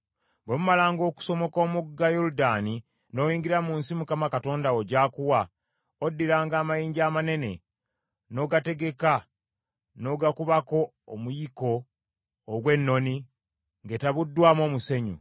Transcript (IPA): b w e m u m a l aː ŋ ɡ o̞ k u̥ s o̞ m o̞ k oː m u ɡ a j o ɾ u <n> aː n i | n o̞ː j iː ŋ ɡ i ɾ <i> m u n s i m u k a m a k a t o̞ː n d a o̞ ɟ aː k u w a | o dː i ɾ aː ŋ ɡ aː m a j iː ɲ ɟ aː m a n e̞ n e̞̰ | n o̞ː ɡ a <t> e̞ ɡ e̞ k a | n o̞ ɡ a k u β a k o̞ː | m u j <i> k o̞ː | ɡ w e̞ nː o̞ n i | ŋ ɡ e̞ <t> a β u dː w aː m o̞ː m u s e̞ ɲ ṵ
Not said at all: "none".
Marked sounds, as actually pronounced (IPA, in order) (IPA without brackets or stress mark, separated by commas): d, a, t, i, t